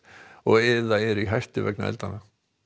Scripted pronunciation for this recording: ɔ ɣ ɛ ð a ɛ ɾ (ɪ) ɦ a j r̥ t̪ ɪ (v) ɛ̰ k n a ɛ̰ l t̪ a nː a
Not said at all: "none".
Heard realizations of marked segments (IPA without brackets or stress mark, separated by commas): i, v